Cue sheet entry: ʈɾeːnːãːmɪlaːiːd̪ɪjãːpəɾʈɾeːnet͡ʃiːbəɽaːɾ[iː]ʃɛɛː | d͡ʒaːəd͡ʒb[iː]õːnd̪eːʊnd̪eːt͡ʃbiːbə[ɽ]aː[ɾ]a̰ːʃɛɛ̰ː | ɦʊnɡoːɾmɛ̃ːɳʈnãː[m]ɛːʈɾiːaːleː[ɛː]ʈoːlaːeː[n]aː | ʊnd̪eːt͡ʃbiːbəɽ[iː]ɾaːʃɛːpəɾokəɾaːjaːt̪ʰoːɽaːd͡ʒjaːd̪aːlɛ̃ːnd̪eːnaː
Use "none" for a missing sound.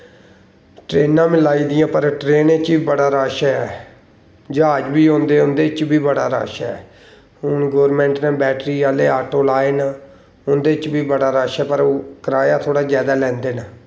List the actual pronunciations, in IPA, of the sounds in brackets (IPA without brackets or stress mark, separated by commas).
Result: aː, iː, ɽ, ɾ, b, aː, n, aː